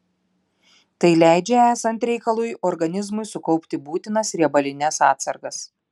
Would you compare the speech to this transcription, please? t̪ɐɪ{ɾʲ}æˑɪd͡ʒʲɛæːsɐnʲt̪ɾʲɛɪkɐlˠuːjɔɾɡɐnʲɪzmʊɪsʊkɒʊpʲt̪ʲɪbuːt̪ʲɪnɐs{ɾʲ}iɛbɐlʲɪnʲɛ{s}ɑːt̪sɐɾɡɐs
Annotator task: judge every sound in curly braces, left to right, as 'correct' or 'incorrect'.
incorrect, correct, correct

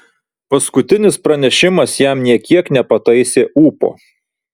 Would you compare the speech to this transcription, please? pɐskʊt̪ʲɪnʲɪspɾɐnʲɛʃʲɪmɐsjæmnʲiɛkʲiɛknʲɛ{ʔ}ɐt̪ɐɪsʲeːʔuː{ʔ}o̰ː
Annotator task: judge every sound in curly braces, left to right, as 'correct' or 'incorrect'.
incorrect, incorrect

